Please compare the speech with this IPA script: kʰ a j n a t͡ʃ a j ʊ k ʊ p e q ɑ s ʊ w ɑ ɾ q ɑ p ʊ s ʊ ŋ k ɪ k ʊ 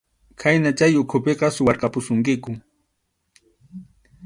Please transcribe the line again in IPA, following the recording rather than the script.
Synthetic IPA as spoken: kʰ a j n a t͡ʃ a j ʊ kʰ ʊ p e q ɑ s ʊ w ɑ ɾ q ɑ p ʊ s ʊ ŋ k ɪ k ʊ